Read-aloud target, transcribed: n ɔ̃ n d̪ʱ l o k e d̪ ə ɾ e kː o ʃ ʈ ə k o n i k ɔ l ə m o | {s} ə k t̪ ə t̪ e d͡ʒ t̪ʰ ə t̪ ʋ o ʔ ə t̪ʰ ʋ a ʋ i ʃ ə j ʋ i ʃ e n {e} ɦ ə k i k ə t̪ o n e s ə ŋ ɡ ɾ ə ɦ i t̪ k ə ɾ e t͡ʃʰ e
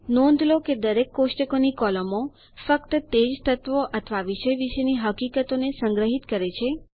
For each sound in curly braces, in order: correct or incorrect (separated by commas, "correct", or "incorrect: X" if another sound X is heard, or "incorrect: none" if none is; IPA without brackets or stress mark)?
incorrect: f, incorrect: i